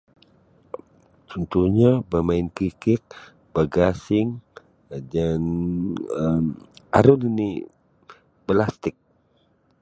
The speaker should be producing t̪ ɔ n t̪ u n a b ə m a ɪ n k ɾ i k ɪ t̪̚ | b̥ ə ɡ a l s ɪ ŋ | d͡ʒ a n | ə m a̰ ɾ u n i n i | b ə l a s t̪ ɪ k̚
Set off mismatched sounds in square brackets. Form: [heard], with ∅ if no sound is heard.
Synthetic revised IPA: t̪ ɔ n t̪ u [ɲ] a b ə m a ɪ n k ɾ i k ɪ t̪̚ | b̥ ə ɡ a [∅] s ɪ ŋ | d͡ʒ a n | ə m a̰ ɾ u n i n i | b ə l a s t̪ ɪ k̚